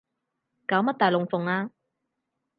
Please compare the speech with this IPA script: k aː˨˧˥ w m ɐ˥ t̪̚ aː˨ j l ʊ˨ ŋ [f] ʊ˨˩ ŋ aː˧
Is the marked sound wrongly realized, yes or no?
no